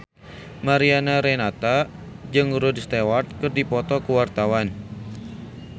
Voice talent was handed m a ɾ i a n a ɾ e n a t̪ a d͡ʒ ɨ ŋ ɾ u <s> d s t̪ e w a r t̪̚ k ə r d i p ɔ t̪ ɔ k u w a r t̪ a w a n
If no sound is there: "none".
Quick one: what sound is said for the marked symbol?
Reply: none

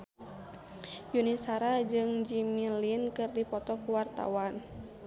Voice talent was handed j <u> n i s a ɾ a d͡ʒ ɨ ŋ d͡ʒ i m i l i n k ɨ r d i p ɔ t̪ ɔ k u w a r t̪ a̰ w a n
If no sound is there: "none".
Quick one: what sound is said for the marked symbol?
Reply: u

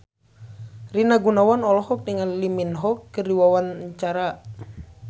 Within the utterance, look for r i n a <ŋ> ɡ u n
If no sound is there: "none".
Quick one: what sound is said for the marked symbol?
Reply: none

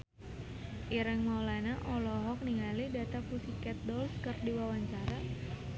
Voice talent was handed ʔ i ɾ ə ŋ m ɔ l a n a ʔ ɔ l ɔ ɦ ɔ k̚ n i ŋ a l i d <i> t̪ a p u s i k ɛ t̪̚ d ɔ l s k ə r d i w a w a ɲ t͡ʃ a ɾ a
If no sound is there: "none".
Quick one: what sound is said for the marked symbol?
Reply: a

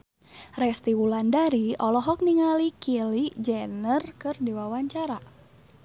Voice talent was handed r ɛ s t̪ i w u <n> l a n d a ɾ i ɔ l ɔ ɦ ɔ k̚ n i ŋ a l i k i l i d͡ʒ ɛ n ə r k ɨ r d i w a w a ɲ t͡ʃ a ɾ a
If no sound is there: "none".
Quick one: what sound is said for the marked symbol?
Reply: none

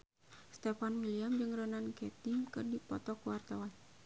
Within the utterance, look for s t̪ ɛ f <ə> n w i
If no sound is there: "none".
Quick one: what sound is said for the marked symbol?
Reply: a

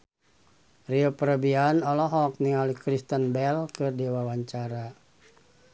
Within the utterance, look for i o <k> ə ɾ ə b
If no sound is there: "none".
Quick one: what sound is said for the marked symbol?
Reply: p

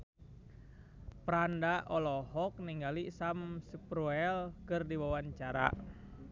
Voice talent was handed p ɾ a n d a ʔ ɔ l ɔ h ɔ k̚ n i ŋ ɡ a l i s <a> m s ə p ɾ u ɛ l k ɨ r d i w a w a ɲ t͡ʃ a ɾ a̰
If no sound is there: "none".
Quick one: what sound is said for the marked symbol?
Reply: a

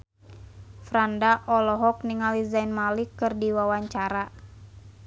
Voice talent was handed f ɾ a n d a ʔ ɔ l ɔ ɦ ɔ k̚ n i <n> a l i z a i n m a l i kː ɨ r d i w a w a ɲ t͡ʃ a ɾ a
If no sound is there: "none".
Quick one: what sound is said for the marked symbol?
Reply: ŋ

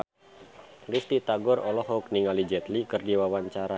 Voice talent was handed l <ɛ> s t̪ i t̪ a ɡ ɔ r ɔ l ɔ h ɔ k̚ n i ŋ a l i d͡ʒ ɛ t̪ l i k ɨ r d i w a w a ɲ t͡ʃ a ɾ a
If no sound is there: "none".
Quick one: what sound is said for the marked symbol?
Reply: i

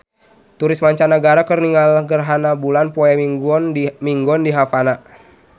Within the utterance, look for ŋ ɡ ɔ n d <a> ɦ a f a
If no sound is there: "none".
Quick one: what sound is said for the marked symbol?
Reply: i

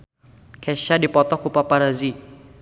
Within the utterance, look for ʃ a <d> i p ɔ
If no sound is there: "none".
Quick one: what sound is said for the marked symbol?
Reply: d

